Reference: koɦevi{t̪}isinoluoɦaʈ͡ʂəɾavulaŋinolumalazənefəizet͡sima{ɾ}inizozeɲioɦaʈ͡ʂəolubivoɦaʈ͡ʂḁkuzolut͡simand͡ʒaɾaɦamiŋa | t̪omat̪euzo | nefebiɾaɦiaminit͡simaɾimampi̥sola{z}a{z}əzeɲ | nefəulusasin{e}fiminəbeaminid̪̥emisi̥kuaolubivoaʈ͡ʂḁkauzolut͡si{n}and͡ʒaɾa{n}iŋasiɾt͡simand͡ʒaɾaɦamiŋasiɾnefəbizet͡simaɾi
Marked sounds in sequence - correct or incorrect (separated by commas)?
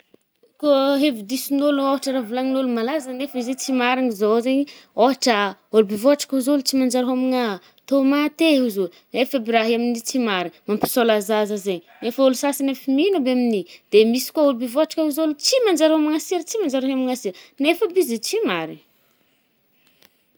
incorrect, correct, correct, correct, correct, incorrect, incorrect